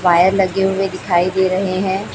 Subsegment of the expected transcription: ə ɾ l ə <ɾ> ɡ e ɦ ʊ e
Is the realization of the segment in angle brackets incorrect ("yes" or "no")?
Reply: yes